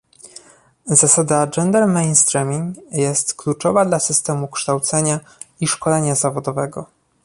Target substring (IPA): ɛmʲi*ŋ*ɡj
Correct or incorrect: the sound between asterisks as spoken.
correct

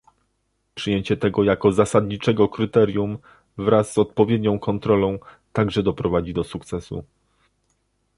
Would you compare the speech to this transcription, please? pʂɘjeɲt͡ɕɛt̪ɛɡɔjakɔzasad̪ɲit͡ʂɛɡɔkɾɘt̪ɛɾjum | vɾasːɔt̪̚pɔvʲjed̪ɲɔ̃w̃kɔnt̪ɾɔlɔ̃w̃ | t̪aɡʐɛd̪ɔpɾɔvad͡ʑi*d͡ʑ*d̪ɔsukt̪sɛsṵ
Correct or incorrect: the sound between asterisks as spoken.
incorrect: none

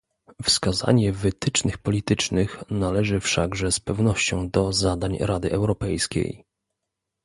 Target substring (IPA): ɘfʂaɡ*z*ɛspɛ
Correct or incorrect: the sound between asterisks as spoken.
incorrect: ʐ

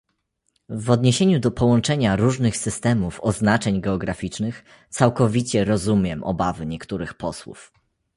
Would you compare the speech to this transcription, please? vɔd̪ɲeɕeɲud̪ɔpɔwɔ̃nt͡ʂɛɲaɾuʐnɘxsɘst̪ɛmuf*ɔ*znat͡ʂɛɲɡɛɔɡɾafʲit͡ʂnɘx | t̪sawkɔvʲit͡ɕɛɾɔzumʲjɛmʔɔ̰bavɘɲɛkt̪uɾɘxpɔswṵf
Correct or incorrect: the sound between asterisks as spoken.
correct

